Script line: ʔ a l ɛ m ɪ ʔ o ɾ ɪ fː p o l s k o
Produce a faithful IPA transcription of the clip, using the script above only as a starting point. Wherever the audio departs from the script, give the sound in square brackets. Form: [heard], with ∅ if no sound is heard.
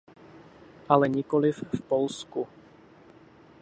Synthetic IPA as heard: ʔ a l ɛ [ɲ] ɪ [k] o [l] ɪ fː p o l s k [u]